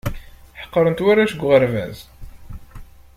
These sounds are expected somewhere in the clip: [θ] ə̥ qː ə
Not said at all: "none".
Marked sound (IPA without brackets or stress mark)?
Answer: ħ